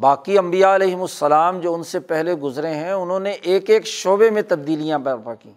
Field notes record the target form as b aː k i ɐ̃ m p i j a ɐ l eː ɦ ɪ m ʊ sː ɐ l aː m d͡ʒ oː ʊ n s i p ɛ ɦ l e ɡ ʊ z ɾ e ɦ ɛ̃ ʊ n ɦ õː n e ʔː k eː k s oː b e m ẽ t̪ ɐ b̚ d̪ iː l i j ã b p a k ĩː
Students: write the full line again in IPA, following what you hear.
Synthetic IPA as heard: b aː k i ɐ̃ m b i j a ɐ l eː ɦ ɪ m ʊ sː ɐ l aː m d͡ʒ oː ʊ n s e p ɛ ɦ l e ɡ ʊ z ɾ e ɦ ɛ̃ ʊ n ɦ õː n e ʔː k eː k ʃ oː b e m ẽ t̪ ɐ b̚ d̪ iː l i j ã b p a k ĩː